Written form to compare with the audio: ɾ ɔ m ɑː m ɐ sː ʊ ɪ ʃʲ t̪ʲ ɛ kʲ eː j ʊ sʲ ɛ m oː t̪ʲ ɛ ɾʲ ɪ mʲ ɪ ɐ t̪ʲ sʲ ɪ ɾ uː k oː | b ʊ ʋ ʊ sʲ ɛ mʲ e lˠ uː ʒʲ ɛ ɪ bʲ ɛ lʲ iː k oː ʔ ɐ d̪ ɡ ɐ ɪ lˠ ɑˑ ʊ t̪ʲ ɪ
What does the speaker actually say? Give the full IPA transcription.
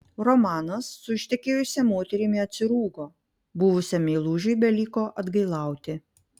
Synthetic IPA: ɾ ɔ m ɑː n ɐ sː ʊ ɪ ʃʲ t̪ʲ ɛ kʲ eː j ʊ sʲ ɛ m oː t̪ʲ ɛ ɾʲ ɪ mʲ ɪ ɐ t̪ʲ sʲ ɪ ɾ uː ɡ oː | b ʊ ʋ ʊ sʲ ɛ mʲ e lˠ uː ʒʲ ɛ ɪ bʲ ɛ lʲ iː k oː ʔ ɐ d̪ ɡ ɐ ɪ lˠ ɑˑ ʊ t̪ʲ ɪ